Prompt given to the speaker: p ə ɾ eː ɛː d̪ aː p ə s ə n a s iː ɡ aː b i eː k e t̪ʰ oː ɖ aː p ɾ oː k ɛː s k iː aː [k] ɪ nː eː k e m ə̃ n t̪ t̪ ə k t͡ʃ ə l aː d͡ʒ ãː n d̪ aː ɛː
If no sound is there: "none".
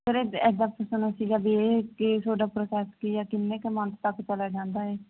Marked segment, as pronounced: k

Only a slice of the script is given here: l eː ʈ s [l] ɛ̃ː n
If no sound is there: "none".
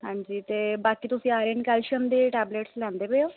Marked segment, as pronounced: l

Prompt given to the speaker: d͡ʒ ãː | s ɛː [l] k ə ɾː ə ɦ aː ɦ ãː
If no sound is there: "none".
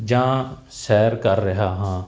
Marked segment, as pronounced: ɾ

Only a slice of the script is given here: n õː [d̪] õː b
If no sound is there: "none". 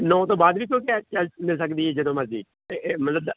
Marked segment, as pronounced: t̪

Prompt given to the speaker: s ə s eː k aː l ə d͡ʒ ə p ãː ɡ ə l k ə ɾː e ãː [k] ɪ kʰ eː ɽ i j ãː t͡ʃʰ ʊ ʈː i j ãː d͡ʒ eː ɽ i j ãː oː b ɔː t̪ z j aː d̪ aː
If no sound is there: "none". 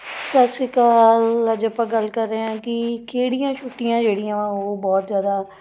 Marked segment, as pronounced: k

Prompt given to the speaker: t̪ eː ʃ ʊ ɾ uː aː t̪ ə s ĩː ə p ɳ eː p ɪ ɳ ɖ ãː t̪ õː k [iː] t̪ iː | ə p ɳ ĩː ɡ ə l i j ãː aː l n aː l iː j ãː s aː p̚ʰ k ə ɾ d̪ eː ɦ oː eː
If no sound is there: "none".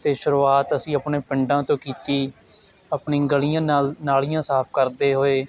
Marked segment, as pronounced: iː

